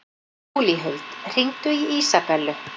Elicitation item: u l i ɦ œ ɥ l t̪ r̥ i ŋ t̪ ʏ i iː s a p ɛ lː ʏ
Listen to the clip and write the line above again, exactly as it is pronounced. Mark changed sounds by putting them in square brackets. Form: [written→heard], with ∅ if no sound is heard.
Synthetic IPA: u l i ɦ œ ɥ l t̪ r̥ i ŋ t̪ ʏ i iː s a p ɛ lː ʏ